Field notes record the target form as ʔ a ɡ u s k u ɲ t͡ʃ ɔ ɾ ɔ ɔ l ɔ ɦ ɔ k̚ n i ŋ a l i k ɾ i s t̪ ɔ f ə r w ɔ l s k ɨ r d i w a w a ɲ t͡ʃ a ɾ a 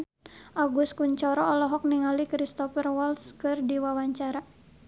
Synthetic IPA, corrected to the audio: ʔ a ɡ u s k u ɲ t͡ʃ ɔ ɾ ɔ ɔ l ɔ ɦ ɔ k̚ n i ŋ a l i k ɾ i s t̪ ɔ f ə r w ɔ l s k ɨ r d i w a w a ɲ t͡ʃ a ɾ a